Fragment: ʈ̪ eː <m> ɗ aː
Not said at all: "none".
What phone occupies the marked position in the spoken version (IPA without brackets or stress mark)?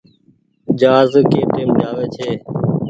m